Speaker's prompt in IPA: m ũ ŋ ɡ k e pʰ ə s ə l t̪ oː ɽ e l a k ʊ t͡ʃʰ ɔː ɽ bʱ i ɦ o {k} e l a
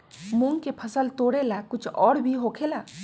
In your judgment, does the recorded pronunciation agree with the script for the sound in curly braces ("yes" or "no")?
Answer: no